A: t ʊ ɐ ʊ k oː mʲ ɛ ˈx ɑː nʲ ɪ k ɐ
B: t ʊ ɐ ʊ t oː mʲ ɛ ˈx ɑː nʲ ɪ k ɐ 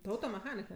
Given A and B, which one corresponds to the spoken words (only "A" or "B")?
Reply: B